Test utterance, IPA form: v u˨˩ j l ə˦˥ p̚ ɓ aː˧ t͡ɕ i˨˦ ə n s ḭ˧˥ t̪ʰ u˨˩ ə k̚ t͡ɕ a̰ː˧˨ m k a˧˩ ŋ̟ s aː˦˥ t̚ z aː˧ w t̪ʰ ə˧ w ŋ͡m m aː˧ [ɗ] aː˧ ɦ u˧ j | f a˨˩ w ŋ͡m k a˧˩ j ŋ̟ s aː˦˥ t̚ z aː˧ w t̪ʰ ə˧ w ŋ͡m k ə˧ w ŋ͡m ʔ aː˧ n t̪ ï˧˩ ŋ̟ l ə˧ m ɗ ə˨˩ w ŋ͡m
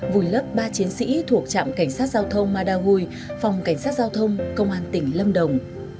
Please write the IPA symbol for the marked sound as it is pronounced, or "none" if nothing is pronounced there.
ɗ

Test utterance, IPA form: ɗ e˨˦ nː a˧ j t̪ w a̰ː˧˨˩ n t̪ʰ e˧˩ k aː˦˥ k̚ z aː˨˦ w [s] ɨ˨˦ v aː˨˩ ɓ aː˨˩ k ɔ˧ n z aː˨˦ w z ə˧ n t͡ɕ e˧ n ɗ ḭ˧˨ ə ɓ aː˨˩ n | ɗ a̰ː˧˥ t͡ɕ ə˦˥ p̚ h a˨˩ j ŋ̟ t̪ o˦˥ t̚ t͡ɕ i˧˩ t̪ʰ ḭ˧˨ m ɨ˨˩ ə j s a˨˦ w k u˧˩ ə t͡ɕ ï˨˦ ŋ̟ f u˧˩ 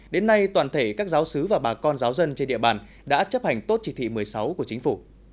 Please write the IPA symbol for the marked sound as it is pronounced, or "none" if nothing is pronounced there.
s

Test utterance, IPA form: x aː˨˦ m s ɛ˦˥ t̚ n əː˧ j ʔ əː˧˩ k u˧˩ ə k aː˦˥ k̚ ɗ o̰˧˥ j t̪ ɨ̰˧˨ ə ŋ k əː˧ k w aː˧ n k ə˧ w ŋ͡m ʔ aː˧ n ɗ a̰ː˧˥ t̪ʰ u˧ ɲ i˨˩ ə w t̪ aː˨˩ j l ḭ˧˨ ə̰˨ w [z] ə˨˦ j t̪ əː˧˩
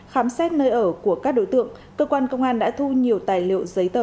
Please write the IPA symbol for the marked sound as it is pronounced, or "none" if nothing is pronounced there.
z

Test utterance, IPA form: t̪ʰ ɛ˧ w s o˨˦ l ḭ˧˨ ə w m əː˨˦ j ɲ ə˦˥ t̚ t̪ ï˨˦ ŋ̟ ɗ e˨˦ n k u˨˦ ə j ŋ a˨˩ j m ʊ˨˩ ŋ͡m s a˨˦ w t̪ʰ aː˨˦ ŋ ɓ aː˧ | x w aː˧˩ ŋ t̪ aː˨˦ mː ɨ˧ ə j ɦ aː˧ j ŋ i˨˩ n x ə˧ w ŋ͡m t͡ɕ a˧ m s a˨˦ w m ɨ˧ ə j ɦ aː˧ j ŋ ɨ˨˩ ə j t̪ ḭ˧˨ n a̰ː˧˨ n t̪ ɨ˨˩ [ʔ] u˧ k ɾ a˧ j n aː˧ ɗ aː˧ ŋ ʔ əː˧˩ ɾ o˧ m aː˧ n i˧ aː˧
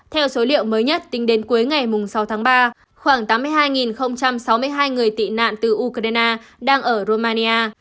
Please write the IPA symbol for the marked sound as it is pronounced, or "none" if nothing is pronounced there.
ʔ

